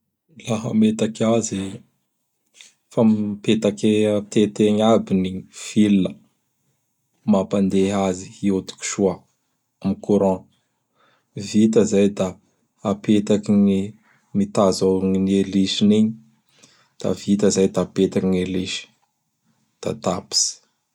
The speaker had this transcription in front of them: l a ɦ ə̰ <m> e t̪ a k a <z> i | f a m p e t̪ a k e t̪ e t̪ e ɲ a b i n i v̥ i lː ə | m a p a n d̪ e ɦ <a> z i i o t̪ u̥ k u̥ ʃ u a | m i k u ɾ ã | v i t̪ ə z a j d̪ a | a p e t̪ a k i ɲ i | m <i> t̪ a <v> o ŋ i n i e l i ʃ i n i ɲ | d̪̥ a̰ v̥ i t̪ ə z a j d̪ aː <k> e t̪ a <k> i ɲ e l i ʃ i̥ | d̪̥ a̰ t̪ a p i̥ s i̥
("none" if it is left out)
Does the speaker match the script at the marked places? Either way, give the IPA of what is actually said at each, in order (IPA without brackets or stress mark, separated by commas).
m, z, a, i, z, p, k